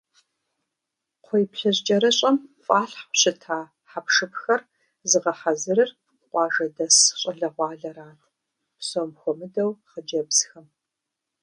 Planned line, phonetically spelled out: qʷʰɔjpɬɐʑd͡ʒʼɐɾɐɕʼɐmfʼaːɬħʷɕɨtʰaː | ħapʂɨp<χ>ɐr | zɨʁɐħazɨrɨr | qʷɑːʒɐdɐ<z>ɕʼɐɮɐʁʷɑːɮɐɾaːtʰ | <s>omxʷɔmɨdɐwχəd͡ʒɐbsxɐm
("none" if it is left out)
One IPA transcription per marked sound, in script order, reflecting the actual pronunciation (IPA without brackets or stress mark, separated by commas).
x, s, s